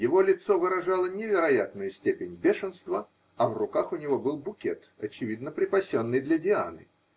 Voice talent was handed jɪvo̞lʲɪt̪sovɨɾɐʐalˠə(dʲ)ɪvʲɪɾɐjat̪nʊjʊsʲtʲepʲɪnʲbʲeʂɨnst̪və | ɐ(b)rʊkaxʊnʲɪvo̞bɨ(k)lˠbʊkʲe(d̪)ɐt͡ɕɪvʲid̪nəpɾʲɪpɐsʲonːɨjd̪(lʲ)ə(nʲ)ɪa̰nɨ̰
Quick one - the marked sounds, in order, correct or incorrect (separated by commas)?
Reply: incorrect, incorrect, incorrect, incorrect, correct, incorrect